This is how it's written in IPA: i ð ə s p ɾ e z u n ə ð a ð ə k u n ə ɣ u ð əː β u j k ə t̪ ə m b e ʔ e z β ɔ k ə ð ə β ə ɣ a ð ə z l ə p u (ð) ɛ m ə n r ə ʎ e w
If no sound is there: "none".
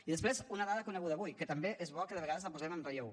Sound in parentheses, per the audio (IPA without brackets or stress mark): z